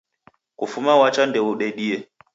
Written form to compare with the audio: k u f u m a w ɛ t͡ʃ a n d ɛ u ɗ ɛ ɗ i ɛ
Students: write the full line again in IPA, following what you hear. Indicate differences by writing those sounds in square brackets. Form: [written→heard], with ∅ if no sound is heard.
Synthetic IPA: k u f u m a w [ɛ→a] t͡ʃ a n d ɛ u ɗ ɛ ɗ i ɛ